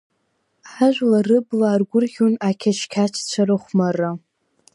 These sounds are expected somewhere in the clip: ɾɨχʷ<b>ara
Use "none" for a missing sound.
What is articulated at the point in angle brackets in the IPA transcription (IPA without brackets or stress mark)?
m